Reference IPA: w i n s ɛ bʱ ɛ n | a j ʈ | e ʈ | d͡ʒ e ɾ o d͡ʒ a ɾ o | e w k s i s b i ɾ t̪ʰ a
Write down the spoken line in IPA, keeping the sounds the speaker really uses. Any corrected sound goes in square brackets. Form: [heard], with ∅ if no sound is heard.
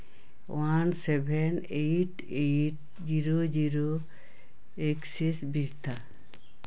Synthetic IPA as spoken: w [a] n s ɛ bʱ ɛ n | [e] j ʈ | e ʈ | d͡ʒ [i] ɾ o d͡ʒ [i] ɾ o | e [∅] k s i s b i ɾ t̪ʰ a